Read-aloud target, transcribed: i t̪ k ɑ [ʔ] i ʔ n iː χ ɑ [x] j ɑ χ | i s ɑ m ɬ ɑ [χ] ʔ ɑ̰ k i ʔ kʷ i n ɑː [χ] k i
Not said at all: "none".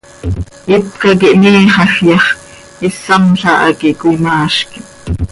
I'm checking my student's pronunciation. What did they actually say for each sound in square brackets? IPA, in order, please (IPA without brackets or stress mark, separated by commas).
k, x, none, ʃ